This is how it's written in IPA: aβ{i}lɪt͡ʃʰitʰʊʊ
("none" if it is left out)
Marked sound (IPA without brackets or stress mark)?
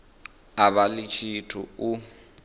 a